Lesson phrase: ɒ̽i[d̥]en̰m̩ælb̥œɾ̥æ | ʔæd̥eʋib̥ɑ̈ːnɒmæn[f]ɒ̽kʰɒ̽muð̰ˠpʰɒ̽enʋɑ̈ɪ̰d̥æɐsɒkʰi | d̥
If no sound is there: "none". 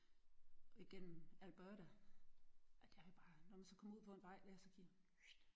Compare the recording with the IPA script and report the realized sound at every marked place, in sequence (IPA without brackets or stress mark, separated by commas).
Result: ɡ̥, s